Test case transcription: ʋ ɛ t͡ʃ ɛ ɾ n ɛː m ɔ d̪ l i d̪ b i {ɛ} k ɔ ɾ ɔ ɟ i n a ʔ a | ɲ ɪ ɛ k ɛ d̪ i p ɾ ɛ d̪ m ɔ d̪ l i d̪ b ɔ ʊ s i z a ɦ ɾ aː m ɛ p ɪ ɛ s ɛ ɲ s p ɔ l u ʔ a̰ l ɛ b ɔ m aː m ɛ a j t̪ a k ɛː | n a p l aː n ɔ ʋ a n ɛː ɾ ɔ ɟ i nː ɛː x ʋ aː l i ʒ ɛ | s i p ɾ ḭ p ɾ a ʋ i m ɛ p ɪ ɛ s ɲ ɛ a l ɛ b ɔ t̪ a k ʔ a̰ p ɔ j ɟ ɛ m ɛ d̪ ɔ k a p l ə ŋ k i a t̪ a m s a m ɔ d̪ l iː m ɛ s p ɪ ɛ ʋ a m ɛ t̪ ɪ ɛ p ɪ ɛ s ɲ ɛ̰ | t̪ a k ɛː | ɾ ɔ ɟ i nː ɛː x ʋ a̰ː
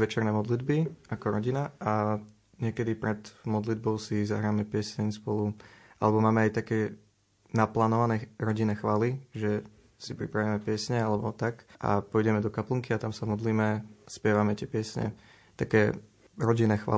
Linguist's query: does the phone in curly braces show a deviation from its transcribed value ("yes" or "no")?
yes